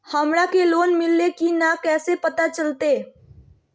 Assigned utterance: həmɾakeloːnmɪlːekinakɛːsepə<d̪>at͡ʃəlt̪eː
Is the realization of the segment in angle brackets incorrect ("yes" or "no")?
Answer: yes